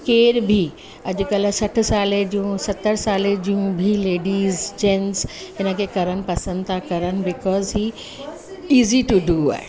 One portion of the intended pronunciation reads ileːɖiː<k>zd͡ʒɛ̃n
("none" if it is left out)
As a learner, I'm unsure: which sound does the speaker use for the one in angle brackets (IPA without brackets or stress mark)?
none